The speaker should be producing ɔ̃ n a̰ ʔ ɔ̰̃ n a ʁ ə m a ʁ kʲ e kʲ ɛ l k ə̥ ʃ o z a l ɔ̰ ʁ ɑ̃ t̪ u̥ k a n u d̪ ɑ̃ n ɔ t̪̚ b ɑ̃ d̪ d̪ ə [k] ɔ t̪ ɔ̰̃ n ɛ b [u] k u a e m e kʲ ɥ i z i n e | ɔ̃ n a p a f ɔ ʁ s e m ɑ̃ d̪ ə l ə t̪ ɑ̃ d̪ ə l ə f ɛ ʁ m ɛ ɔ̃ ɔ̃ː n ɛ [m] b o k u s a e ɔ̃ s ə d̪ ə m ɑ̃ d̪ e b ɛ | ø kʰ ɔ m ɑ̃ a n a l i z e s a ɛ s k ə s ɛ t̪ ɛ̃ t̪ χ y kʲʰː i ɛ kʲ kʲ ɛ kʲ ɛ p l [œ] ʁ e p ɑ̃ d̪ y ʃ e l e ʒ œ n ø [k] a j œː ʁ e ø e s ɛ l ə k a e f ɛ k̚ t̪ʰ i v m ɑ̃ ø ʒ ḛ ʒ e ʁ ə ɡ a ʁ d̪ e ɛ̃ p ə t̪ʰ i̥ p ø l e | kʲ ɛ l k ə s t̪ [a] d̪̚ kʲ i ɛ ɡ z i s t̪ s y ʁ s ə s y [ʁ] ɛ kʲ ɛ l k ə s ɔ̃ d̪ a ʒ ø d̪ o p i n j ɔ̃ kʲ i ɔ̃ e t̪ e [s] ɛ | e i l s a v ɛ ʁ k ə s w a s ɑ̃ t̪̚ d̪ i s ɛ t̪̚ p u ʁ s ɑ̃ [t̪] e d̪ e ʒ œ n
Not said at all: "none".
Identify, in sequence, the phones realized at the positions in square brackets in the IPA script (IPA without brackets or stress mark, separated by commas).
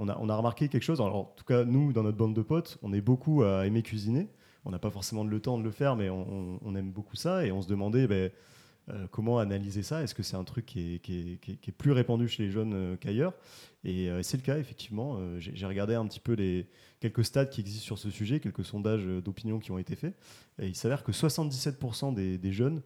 p, o, m, y, k, a, ʒ, f, d̪